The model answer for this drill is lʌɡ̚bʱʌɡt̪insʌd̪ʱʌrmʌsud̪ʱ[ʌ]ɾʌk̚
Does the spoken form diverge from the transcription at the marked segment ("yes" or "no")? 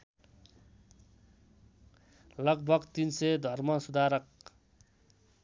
yes